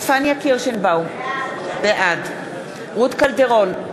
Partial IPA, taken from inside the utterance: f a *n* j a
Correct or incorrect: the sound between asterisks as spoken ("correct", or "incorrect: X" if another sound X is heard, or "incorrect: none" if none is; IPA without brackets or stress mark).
correct